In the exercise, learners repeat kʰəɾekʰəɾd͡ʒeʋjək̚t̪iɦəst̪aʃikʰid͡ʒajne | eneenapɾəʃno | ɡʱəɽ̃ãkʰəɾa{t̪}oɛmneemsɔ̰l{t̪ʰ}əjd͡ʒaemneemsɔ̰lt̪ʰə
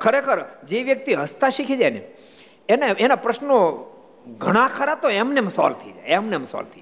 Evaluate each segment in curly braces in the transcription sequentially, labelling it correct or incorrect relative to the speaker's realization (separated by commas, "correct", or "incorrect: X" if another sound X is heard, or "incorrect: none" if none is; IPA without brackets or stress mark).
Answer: correct, correct